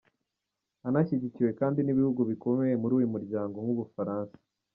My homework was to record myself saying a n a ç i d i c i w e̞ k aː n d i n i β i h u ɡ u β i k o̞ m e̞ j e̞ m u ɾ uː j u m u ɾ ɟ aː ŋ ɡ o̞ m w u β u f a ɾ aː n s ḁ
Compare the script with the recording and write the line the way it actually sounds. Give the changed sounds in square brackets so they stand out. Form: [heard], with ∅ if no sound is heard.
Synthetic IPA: a n a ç i [ɟ] i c i w e̞ k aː n d i n i β i h u ɡ u β i k o̞ m e̞ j e̞ m u ɾ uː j u m u ɾ ɟ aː ŋ ɡ o̞ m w u β u f a ɾ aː n s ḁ